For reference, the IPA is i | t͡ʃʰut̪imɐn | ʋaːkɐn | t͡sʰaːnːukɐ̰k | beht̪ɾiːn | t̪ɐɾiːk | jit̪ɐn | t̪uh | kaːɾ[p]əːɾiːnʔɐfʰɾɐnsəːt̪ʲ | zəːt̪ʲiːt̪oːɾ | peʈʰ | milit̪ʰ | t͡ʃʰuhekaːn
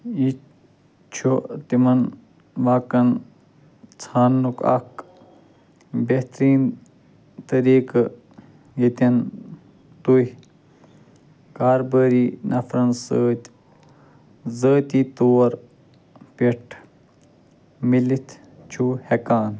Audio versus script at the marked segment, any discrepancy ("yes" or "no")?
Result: yes